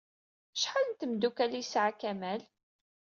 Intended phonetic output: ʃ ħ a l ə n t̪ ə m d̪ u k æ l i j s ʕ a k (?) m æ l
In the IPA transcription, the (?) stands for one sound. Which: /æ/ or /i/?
æ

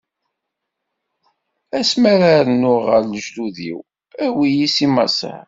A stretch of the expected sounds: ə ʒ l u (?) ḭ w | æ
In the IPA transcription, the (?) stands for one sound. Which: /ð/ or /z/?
ð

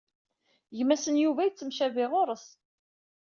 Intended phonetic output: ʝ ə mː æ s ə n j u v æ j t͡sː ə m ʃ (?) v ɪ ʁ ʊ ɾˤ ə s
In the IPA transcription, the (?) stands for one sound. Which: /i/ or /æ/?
æ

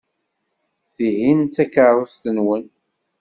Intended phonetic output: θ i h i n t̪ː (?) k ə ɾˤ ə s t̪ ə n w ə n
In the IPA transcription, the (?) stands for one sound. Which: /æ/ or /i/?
æ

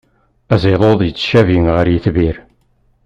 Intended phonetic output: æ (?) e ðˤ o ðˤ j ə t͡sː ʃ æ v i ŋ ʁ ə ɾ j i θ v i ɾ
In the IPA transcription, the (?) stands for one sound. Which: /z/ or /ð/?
z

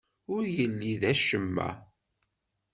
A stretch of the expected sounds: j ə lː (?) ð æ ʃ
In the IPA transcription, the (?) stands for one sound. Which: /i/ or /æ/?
i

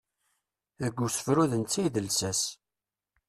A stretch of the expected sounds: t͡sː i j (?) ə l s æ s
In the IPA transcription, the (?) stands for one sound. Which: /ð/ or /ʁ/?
ð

